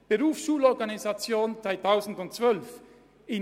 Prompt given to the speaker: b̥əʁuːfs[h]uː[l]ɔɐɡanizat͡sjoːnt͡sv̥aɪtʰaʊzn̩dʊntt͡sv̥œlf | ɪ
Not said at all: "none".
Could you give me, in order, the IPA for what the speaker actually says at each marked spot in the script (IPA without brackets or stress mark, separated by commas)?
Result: ʃ, l